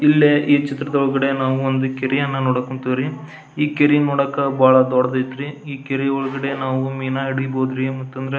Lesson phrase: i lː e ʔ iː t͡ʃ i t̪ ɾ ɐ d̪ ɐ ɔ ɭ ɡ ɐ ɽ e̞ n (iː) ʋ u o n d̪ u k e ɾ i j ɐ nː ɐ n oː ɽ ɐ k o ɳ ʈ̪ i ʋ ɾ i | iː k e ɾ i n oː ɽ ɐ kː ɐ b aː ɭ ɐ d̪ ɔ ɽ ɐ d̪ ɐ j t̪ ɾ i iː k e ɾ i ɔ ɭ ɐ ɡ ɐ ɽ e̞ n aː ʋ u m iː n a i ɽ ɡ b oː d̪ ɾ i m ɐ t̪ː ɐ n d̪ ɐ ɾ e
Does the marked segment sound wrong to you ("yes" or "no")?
yes